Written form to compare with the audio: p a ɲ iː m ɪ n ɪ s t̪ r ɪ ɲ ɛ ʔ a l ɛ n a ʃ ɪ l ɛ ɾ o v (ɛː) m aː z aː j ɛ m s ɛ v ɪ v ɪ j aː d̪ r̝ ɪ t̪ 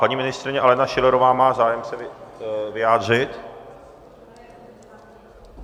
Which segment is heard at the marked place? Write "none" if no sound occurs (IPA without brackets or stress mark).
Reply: aː